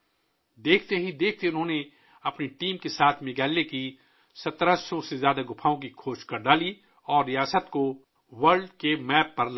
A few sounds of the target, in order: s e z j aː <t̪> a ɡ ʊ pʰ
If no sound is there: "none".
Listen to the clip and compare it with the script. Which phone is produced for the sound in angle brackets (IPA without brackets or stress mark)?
d̪